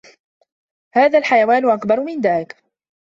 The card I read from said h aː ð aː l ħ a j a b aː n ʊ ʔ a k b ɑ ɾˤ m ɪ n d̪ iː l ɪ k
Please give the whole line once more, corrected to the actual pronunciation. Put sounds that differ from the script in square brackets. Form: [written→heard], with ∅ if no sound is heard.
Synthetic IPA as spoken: h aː ð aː l ħ a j a [b→w] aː n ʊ ʔ a k b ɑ ɾˤ m ɪ n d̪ [iː→aː] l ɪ k